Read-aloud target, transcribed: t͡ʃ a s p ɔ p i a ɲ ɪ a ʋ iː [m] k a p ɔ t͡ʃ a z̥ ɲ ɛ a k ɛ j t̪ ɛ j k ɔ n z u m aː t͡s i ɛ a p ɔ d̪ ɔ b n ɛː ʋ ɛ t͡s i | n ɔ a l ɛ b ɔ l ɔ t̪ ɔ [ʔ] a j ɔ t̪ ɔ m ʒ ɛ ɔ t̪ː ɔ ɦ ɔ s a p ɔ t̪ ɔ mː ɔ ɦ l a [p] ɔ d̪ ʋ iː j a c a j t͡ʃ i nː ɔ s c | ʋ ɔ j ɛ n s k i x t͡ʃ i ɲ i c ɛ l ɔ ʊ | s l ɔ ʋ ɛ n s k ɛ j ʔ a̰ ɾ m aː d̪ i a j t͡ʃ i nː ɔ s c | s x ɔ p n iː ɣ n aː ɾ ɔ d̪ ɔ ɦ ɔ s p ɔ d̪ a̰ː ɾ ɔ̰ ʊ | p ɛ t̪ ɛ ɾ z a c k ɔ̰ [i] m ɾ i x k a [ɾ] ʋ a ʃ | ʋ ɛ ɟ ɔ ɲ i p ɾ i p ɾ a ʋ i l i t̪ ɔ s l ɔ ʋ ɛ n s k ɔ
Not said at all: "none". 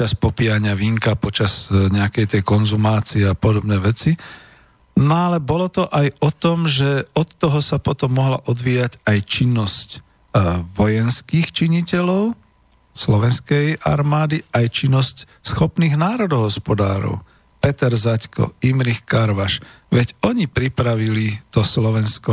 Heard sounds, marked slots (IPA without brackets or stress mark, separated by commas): ŋ, ʔ, ʔ, i, ɾ